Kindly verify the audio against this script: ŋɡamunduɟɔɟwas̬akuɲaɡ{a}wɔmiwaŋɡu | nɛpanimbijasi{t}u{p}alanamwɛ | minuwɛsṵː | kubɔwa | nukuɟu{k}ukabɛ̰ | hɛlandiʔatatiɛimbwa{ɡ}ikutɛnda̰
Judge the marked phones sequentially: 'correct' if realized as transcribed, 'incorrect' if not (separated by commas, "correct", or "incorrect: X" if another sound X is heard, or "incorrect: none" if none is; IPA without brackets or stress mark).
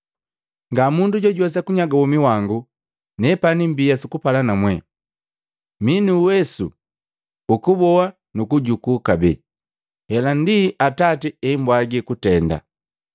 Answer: correct, incorrect: k, correct, correct, correct